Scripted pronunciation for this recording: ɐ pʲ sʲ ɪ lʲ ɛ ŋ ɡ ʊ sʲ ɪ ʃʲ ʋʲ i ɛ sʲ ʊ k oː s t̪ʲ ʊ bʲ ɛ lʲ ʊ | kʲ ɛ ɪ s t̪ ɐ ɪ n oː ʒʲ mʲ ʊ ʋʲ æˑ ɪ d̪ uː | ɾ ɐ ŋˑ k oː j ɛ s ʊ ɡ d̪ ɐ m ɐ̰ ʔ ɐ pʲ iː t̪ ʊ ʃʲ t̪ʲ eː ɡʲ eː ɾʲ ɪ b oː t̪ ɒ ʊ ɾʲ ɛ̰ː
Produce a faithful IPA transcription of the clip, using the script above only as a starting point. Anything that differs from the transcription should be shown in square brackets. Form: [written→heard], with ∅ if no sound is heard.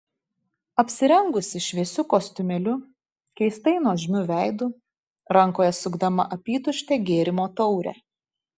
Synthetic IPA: ɐ pʲ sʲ ɪ [lʲ→ɾʲ] ɛ ŋ ɡ ʊ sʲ ɪ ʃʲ ʋʲ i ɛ sʲ ʊ k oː s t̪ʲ ʊ [bʲ→mʲ] ɛ lʲ ʊ | kʲ ɛ ɪ s t̪ ɐ ɪ n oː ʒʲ mʲ ʊ ʋʲ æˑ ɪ d̪ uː | ɾ ɐ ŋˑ k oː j ɛ s ʊ ɡ d̪ ɐ m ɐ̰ ʔ ɐ pʲ iː t̪ ʊ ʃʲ t̪ʲ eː ɡʲ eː ɾʲ ɪ [b→m] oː t̪ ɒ ʊ ɾʲ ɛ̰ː